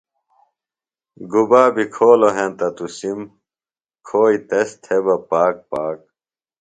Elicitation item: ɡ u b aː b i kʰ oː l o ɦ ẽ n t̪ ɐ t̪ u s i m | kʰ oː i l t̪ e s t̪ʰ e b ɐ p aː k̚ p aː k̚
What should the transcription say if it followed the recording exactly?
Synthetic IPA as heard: ɡ u b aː b i kʰ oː l o ɦ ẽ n t̪ ɐ t̪ u s i m | kʰ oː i t̪ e s t̪ʰ e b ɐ p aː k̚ p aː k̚